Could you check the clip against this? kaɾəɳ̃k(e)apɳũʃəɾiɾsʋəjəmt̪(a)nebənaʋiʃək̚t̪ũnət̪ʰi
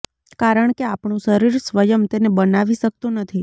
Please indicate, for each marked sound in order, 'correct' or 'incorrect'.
correct, incorrect

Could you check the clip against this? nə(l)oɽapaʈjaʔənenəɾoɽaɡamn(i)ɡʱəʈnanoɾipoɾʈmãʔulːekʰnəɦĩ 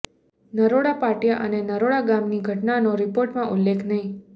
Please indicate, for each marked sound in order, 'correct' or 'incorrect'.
incorrect, correct

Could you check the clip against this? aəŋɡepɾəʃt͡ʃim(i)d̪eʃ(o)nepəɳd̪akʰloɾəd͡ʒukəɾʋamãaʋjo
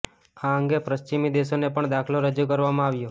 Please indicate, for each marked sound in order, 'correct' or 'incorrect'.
correct, correct

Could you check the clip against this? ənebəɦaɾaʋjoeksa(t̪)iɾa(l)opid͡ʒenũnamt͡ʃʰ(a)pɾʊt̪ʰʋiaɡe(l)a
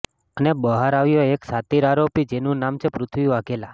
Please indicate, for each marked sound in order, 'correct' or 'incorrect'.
correct, incorrect, incorrect, correct

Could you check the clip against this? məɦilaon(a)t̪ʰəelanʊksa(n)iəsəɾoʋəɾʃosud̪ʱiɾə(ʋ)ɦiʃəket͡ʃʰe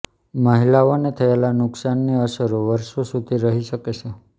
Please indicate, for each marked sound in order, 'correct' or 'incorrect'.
incorrect, incorrect, incorrect

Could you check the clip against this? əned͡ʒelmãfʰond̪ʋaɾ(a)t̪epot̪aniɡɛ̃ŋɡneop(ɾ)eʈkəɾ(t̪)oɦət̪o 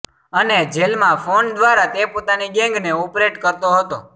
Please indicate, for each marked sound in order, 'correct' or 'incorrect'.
correct, correct, correct

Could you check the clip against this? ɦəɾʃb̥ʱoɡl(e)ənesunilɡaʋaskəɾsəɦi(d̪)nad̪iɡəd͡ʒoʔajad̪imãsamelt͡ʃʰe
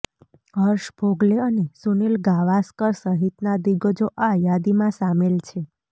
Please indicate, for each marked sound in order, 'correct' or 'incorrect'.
correct, incorrect

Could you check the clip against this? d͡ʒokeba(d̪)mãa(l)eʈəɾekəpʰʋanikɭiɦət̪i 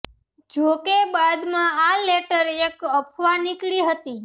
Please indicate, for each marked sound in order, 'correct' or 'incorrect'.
correct, correct

